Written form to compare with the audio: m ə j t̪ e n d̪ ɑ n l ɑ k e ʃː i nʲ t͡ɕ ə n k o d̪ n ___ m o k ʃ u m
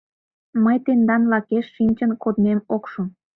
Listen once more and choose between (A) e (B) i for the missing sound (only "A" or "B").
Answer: A